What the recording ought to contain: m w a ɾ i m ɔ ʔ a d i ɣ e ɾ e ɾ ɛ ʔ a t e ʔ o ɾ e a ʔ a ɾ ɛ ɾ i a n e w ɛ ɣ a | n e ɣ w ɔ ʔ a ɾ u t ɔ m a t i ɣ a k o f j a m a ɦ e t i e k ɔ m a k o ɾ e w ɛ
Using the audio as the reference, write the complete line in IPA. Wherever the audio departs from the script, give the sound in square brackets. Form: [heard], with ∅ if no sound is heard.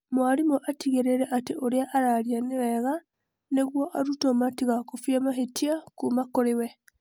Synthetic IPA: m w a ɾ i m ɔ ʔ a [t] i ɣ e ɾ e ɾ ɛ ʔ a t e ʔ o ɾ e a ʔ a ɾ [a] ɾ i a n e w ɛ ɣ a | n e ɣ w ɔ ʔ a ɾ u t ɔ m a t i ɣ a k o f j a m a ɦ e t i [a] k [u] m a k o ɾ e w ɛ